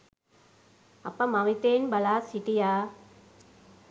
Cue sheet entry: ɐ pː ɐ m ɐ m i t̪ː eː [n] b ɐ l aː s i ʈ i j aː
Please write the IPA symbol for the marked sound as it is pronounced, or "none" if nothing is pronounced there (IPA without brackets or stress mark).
n